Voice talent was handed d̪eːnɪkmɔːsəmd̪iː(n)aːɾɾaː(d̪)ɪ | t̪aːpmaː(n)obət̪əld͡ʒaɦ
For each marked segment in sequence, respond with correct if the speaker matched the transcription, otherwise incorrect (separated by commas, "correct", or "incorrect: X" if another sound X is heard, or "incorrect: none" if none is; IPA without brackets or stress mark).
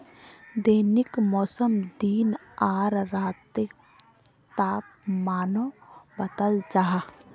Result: correct, incorrect: t̪, correct